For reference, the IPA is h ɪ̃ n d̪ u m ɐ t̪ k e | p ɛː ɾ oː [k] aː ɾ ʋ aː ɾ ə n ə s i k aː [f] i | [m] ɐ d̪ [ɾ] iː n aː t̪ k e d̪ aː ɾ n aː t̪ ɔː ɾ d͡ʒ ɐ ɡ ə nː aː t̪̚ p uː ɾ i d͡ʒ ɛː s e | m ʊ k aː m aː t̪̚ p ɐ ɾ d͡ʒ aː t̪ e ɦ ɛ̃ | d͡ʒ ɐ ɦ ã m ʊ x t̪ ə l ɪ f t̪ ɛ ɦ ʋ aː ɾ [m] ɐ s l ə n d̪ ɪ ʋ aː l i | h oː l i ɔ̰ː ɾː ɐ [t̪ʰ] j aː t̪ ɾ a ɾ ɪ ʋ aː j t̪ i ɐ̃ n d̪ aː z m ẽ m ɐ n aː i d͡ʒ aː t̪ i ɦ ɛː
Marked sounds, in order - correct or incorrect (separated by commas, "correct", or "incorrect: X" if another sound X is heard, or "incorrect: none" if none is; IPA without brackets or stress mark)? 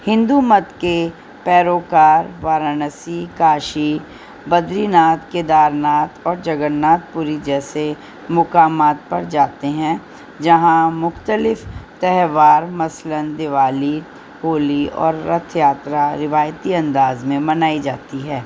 correct, incorrect: ʃ, incorrect: b, correct, correct, correct